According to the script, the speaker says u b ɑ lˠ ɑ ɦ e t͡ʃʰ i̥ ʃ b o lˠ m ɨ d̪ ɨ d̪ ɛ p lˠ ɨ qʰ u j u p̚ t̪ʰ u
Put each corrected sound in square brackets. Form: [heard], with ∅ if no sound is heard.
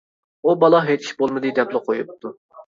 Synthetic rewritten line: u b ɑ lˠ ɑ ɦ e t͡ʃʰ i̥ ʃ b o lˠ m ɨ d̪ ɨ d̪ ɛ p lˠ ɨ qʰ [o] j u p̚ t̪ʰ u